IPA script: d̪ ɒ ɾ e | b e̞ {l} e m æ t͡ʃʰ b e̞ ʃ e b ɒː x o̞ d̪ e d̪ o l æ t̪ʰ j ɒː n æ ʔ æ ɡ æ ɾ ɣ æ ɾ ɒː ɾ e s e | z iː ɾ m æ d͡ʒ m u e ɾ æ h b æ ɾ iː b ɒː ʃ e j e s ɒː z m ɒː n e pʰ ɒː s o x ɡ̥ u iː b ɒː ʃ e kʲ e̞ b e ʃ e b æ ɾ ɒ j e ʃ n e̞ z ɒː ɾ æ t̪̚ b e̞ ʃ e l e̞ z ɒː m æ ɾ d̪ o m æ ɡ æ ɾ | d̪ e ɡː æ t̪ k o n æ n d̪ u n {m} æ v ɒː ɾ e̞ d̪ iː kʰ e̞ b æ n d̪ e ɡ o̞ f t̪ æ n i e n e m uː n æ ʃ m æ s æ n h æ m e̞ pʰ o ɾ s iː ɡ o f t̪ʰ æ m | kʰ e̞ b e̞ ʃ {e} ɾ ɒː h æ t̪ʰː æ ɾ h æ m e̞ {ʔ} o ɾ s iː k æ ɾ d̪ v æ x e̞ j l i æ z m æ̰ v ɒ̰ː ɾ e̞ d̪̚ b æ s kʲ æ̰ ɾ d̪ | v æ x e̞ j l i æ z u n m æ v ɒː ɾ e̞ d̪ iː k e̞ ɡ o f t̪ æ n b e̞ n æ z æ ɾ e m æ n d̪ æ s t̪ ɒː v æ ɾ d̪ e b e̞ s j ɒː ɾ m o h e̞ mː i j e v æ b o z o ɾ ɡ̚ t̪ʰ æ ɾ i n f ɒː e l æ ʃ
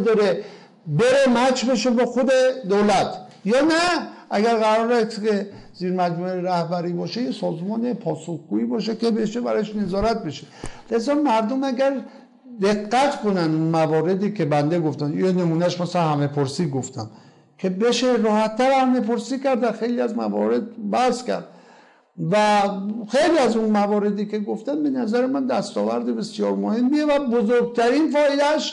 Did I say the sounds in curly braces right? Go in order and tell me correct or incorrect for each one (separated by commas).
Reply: incorrect, correct, correct, incorrect